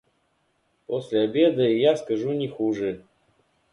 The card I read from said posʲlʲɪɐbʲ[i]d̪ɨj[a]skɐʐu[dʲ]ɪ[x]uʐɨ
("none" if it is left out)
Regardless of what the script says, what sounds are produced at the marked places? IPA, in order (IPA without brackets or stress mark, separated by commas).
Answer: e, a, nʲ, x